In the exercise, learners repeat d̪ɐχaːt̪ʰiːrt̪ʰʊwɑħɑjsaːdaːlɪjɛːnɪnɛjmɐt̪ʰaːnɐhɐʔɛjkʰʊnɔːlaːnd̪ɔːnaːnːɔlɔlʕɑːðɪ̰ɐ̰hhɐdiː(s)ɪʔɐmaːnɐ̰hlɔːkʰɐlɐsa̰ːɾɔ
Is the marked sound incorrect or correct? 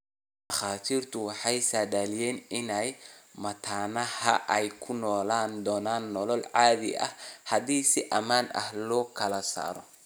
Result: correct